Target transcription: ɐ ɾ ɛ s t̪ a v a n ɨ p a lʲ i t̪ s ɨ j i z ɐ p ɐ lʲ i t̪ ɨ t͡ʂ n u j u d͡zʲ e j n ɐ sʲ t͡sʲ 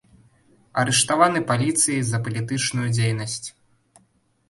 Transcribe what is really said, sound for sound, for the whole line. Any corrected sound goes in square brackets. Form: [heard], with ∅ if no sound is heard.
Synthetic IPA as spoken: ɐ ɾ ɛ [ʂ] t̪ a v a n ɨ p a lʲ i t̪ s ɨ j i z ɐ p ɐ lʲ i t̪ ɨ t͡ʂ n u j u d͡zʲ e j n ɐ sʲ t͡sʲ